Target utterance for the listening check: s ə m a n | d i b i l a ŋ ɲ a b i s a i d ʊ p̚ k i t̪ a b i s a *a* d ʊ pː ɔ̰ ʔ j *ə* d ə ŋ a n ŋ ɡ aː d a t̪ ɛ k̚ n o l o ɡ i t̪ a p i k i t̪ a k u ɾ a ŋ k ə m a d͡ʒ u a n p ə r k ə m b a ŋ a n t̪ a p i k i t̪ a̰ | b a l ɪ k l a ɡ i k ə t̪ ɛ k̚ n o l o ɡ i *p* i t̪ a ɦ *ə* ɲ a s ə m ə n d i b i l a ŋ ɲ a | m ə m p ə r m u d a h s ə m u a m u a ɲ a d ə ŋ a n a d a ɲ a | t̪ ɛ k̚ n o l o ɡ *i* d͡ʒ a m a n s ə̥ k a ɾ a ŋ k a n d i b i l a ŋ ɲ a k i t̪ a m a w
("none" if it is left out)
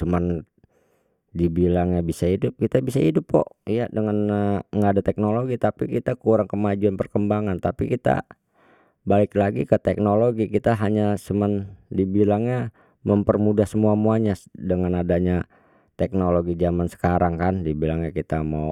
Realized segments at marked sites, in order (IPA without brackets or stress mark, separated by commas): i, a, k, a, i